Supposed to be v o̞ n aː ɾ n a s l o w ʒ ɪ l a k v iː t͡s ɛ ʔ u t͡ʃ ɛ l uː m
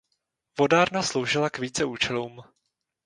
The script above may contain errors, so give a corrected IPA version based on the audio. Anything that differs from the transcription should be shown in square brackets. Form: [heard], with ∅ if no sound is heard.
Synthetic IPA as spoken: v o̞ [d] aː ɾ n a s l o w ʒ ɪ l a k v iː t͡s ɛ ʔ [uː] t͡ʃ ɛ l uː m